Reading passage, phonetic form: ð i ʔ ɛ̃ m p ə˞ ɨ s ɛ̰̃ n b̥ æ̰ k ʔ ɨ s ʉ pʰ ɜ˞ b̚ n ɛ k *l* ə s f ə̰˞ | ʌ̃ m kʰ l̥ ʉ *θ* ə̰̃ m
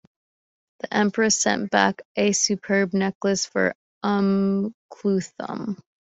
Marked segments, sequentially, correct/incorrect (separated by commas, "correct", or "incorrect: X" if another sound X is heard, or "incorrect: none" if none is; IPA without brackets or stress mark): correct, correct